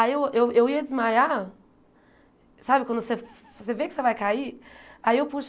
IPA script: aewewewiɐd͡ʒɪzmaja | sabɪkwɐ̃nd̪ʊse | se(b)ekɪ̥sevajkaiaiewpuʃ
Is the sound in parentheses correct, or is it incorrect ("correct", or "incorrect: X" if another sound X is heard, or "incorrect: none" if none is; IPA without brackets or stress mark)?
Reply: incorrect: v